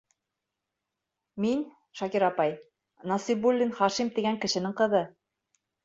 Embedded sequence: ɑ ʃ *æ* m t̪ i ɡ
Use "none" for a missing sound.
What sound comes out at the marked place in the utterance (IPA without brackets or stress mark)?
i